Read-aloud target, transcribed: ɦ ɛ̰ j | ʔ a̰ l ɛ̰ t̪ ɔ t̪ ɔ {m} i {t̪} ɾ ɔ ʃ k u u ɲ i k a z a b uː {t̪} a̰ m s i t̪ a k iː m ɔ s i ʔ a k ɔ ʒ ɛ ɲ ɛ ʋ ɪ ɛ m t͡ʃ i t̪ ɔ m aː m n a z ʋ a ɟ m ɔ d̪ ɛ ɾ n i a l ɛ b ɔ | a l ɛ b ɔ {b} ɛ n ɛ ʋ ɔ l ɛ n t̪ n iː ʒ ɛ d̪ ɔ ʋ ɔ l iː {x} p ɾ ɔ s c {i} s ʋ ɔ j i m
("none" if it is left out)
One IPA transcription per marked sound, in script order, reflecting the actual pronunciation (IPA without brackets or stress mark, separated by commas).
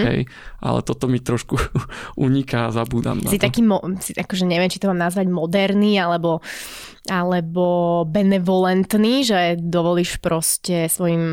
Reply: m, t̪, d̪, b, ʃ, ɛ